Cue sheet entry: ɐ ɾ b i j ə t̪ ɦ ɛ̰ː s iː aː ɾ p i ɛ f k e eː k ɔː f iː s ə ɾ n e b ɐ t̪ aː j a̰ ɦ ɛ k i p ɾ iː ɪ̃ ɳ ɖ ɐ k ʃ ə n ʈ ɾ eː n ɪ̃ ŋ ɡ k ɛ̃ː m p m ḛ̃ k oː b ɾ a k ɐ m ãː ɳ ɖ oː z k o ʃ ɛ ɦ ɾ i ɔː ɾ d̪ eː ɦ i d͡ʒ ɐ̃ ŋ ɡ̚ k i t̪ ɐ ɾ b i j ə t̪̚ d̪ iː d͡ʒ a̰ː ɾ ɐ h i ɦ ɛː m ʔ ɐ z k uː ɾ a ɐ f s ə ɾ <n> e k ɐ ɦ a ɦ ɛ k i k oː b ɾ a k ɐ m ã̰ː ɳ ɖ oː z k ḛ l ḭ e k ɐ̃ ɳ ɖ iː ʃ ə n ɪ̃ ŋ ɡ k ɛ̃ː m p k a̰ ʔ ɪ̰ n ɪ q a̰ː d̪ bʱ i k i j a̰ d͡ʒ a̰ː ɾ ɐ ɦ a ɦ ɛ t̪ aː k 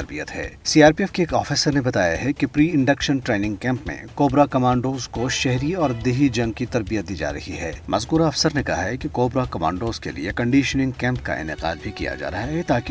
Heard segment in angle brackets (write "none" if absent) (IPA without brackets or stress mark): n